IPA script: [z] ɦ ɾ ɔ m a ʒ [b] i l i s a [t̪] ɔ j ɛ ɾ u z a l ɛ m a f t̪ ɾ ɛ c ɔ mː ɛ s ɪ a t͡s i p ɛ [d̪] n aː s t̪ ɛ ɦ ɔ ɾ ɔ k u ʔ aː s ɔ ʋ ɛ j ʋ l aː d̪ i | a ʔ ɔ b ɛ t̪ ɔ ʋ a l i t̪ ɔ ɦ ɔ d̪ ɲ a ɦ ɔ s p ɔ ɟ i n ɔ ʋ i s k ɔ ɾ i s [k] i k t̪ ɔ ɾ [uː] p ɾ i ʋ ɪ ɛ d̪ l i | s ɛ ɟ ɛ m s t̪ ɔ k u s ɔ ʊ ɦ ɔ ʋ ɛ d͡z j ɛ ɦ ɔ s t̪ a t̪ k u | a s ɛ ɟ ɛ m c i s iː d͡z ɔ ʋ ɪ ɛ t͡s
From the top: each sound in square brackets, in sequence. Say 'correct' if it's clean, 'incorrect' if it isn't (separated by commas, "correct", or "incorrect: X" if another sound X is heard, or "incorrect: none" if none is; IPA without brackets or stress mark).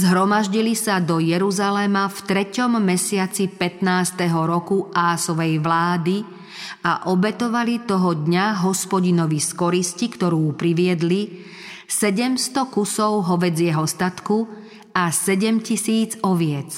correct, incorrect: ɟ, incorrect: d̪, incorrect: t̪, incorrect: c, correct